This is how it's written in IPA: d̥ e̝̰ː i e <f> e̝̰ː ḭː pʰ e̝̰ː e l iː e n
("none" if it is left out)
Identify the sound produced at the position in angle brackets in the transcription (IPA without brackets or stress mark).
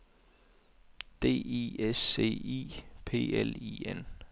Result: s